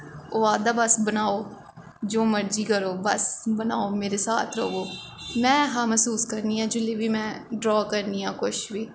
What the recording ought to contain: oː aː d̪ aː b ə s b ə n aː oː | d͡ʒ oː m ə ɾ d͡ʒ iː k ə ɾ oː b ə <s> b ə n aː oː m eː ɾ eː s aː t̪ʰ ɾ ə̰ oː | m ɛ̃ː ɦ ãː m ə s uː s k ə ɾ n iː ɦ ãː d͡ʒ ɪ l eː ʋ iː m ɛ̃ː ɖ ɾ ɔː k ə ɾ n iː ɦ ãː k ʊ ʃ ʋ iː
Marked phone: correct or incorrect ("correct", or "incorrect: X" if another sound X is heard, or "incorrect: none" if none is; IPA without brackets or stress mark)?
correct